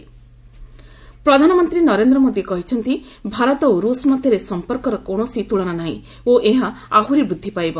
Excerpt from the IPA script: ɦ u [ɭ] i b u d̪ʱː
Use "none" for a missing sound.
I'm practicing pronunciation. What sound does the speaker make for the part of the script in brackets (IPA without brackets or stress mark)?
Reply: ɾ